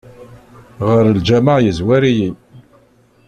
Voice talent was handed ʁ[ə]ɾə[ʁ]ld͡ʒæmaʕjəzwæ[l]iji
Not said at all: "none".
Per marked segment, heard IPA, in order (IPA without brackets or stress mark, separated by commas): ə, none, ɾ